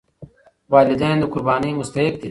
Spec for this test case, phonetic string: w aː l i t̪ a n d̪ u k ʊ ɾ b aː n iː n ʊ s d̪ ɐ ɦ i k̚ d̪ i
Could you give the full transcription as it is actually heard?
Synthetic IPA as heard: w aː l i d̪ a n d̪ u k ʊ ɾ b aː n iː m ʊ s t̪ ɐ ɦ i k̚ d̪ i